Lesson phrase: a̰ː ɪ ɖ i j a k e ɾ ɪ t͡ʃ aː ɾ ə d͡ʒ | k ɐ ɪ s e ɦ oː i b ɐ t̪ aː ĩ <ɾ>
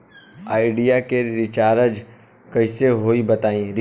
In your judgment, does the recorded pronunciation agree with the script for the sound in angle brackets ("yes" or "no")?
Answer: yes